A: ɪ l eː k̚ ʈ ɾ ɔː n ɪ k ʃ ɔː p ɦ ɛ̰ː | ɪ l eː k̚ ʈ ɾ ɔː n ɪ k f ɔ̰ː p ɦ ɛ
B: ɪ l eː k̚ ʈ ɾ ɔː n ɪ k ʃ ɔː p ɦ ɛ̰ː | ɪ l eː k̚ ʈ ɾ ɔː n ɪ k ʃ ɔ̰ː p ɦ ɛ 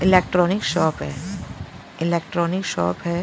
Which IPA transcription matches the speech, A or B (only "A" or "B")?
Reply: B